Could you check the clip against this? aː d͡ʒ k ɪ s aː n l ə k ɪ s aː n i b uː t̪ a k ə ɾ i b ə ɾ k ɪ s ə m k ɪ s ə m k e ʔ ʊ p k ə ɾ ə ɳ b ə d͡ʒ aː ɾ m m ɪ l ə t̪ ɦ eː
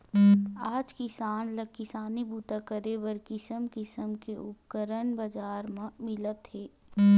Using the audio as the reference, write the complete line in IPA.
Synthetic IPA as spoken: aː d͡ʒ k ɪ s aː n l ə k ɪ s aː n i b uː t̪ a k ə ɾ e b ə ɾ k ɪ s ə m k ɪ s ə m k e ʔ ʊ p k ə ɾ ə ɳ b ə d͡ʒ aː ɾ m m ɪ l ə t̪ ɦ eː